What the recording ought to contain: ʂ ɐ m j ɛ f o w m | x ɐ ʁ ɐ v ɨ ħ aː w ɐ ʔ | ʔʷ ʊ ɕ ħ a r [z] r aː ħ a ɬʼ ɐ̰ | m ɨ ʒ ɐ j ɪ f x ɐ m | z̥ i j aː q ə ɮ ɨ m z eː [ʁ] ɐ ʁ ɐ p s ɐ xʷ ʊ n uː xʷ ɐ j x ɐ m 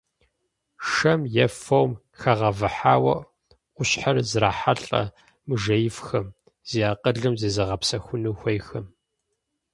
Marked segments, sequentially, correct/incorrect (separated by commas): correct, incorrect